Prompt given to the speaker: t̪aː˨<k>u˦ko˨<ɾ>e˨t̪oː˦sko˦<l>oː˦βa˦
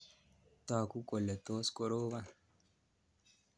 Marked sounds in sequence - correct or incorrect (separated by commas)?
correct, incorrect, incorrect